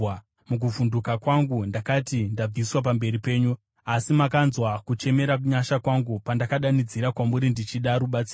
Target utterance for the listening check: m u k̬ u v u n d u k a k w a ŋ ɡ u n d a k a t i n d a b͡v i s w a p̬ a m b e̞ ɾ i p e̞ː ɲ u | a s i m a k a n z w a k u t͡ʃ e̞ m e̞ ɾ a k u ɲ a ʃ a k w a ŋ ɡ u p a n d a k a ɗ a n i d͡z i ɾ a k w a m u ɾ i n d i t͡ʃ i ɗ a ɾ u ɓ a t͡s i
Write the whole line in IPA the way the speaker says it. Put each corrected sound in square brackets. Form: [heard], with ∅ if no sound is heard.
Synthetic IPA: m u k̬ u v u n d u k a k w a ŋ ɡ u n d a k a t i n d a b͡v i s w a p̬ a m b e̞ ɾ i p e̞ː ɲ u | a s i m a k a n z w a k u t͡ʃ e̞ m e̞ ɾ a k u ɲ a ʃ a k w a ŋ ɡ u p a n d a k a ɗ a n i d͡z i ɾ a k w a m u ɾ i n d i t͡ʃ i ɗ a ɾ u ɓ a t͡s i

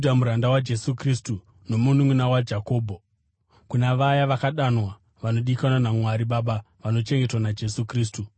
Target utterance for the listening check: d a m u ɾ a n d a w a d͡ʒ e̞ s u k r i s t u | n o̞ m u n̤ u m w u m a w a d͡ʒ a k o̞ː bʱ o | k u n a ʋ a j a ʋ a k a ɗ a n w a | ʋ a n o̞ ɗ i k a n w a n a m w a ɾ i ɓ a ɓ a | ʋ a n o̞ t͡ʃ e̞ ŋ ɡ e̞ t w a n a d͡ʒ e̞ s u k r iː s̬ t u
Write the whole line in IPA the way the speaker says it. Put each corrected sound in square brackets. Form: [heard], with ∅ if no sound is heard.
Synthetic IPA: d a m u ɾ a n d a w a d͡ʒ e̞ s u k r i s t u | n o̞ m u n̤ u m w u [n] a w a d͡ʒ a k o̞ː bʱ o | k u n a ʋ a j a ʋ a k a ɗ a n w a | ʋ a n o̞ ɗ i k a n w a n a m w a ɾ i ɓ a ɓ a | ʋ a n o̞ t͡ʃ e̞ ŋ ɡ e̞ t w a n a d͡ʒ e̞ s u k r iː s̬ t u

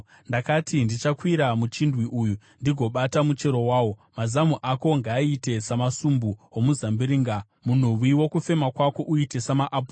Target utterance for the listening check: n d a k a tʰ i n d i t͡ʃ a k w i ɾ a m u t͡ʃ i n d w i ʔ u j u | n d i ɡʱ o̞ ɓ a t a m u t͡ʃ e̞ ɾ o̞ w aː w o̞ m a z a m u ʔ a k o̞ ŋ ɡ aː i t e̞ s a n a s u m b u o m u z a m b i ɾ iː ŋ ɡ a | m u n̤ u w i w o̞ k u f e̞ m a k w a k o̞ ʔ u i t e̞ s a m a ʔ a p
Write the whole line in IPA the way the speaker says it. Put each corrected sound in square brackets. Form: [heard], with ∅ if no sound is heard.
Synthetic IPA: n d a k a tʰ i n d i t͡ʃ a k w i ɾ a m u t͡ʃ i n d w i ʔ u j u | n d i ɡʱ o̞ ɓ a t a m u t͡ʃ e̞ ɾ o̞ w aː w o̞ m a z a m u ʔ a k o̞ ŋ ɡ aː i t e̞ s a [m] a s u m b u o m u z a m b i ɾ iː ŋ ɡ a | m u n̤ u w i w o̞ k u f e̞ m a k w a k o̞ ʔ u i t e̞ s a m a ʔ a p

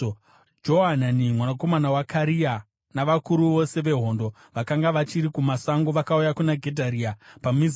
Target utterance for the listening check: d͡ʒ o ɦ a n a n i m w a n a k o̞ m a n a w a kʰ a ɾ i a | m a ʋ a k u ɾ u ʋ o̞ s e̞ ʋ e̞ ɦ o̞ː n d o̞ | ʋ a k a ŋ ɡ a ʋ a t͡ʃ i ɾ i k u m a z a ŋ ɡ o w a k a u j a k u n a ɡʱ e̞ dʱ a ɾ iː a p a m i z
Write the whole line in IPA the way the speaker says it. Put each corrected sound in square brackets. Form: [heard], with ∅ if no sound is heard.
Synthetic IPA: d͡ʒ o ɦ a n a n i m w a n a k o̞ m a n a w a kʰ a ɾ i a | [n] a ʋ a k u ɾ u ʋ o̞ s e̞ ʋ e̞ ɦ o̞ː n d o̞ | ʋ a k a ŋ ɡ a ʋ a t͡ʃ i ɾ i k u m a [s] a ŋ ɡ o [ʋ] a k a u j a k u n a ɡʱ e̞ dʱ a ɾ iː a p a m i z

